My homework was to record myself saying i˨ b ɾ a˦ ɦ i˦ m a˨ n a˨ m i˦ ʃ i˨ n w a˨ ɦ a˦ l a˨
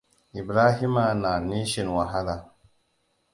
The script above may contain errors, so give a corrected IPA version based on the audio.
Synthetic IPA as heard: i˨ b ɾ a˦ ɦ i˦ m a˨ n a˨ n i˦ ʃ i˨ n w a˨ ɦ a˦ l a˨